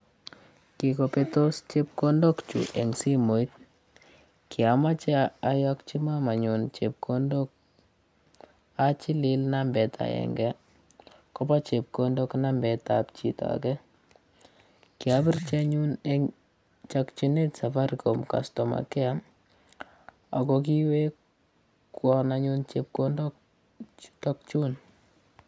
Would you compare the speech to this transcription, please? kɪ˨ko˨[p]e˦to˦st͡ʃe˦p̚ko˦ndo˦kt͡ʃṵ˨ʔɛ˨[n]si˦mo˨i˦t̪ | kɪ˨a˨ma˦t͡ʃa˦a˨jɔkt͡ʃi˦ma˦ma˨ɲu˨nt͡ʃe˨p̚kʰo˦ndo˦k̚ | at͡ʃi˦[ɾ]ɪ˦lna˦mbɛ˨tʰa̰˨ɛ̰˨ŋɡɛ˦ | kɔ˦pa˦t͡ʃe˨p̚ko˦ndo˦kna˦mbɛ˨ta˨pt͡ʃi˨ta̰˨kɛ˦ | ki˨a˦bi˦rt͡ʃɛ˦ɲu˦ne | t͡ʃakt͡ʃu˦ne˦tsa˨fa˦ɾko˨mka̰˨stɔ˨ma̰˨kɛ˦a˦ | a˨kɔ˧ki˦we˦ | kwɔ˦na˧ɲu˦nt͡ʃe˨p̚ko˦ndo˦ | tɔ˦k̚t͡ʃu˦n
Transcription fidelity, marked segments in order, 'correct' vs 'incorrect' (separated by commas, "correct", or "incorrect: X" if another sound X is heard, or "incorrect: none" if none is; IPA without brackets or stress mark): correct, incorrect: ŋ, incorrect: l